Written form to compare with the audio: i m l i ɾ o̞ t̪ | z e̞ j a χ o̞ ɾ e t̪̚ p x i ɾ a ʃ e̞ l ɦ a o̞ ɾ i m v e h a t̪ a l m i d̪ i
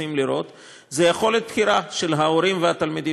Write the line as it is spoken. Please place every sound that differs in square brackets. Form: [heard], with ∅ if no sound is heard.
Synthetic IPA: i m l i ɾ o̞ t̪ | z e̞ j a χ o̞ [l] e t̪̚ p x i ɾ a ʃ e̞ l ɦ a o̞ ɾ i m v e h a t̪ a l m i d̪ i